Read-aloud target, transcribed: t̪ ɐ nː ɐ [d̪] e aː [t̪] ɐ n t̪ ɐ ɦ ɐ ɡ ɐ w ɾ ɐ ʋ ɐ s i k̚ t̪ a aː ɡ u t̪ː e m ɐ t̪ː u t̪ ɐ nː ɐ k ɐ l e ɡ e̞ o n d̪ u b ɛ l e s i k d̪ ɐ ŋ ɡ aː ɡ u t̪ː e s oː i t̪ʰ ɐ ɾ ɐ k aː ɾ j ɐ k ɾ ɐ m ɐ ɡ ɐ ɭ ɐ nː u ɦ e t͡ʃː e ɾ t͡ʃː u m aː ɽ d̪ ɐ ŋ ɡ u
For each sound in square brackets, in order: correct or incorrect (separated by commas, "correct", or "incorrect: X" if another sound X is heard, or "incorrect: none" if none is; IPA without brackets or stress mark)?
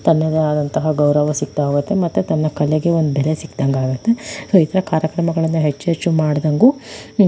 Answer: correct, incorrect: d̪